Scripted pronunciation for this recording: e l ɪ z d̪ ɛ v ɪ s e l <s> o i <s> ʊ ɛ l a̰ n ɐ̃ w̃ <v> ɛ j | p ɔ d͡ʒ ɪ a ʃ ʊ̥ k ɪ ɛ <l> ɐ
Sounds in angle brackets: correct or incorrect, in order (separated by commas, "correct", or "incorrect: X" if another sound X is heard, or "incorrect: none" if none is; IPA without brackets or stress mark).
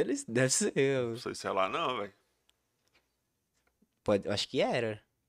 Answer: correct, correct, correct, incorrect: ɾ